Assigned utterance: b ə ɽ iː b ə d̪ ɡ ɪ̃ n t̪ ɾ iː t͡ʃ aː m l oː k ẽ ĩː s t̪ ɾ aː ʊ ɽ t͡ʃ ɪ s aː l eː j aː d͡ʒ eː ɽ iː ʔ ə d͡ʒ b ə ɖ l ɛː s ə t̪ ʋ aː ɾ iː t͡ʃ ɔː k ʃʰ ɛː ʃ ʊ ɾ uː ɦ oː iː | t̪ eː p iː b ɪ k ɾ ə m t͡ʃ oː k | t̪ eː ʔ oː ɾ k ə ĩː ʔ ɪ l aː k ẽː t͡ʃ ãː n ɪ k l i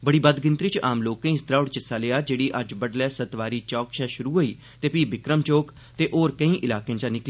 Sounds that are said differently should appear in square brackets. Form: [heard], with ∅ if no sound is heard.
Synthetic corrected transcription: b ə ɽ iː b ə d̪ ɡ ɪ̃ n t̪ ɾ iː t͡ʃ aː m l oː k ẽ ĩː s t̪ ɾ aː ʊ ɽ t͡ʃ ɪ s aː l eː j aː d͡ʒ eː ɽ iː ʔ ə d͡ʒ b ə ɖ l ɛː s ə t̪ ʋ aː ɾ iː t͡ʃ ɔː k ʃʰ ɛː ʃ ʊ ɾ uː ɦ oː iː | t̪ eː p iː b ɪ k ɾ ə m t͡ʃ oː k | t̪ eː ʔ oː ɾ k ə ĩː ʔ ɪ l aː k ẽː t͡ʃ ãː n ɪ k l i